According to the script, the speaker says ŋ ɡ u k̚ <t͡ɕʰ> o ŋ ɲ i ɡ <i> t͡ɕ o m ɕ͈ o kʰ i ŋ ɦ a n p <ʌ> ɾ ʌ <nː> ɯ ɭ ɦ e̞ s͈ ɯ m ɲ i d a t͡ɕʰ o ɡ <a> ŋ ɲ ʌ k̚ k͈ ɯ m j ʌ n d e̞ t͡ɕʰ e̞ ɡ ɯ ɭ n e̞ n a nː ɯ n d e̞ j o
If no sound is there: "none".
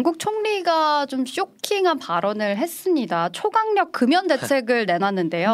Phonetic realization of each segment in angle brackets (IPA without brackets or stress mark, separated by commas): t͡ɕʰ, a, a, n, a